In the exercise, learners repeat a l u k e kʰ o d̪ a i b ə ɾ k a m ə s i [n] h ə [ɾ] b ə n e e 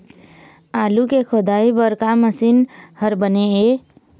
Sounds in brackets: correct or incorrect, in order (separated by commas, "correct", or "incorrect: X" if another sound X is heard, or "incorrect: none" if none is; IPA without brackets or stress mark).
correct, correct